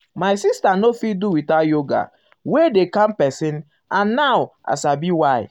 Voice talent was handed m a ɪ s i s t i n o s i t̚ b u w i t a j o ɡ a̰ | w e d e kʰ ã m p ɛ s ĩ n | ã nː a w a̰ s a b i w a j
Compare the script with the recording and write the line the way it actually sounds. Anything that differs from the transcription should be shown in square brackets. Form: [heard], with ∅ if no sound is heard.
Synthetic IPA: m a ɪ s i s t [a] n o [f] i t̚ [d] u w i t a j o ɡ a̰ | w e d e [k] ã m p ɛ s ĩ n | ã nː a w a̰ s a b i w a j